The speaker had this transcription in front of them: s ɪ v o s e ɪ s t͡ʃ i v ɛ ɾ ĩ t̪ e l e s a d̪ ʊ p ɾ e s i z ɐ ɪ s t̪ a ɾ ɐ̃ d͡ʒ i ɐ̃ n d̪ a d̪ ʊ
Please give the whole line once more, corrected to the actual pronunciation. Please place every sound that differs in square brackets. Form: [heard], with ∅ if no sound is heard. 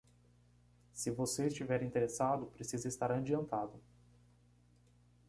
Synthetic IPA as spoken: s ɪ v o s e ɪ s t͡ʃ i v ɛ ɾ ĩ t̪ e [ɾ] e s a d̪ ʊ p ɾ e s i z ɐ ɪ s t̪ a ɾ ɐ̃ d͡ʒ i ɐ̃ n [t̪] a d̪ ʊ